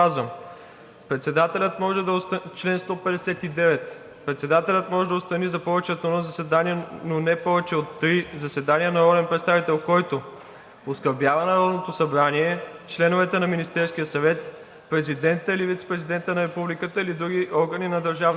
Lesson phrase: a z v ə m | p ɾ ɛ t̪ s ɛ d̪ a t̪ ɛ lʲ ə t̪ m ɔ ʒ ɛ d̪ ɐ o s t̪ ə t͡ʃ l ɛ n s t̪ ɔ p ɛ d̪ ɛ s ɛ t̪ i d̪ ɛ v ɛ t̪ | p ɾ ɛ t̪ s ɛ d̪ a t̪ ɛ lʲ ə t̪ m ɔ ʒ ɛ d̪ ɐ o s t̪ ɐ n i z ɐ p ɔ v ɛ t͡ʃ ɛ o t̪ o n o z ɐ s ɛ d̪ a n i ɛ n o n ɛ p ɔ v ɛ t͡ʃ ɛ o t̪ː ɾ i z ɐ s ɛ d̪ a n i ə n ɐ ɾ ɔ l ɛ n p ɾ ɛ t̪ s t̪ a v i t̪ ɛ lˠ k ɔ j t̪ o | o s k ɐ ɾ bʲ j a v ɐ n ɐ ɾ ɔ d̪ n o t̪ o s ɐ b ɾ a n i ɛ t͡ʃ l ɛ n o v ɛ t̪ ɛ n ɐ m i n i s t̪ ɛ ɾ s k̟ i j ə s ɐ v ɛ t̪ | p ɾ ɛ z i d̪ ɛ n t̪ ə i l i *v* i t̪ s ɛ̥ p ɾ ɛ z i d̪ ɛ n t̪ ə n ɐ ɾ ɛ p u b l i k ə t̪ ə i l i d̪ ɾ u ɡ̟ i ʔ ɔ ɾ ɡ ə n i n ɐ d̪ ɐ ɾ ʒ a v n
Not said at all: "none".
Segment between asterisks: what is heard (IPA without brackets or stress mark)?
v